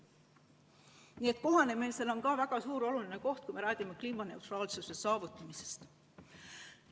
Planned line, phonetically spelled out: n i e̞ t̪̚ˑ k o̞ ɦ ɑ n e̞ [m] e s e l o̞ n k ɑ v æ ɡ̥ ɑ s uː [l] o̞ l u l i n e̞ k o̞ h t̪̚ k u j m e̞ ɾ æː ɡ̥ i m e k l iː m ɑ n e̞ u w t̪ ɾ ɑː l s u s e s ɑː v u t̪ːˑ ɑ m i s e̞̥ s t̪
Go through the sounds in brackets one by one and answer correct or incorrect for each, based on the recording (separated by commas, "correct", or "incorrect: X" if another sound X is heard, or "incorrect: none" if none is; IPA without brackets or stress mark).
correct, incorrect: ɾ